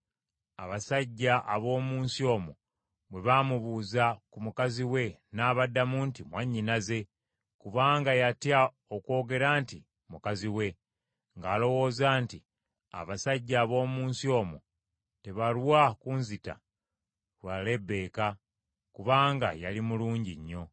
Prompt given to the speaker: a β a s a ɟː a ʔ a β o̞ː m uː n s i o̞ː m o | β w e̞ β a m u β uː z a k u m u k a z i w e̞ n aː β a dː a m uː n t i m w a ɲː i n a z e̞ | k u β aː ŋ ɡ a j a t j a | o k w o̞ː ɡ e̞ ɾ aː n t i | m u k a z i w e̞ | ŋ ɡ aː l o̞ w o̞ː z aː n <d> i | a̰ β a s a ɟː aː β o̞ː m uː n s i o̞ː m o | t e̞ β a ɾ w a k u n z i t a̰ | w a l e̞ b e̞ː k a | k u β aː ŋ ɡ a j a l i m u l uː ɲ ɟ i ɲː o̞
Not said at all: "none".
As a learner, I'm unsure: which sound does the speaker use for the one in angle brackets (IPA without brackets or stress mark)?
t